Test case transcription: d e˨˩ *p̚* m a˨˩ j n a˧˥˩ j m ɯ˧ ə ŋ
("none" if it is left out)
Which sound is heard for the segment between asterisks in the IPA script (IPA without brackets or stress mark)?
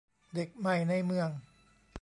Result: k̚